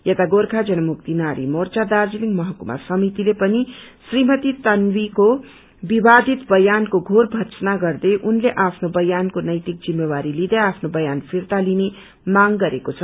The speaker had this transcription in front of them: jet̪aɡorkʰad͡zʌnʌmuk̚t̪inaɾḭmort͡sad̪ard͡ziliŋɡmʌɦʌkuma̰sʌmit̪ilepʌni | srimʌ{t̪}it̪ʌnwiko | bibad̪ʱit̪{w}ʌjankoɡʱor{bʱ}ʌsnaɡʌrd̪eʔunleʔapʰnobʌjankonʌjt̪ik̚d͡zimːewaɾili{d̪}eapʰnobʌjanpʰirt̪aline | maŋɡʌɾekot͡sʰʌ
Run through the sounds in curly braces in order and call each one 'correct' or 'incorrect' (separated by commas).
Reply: correct, incorrect, correct, correct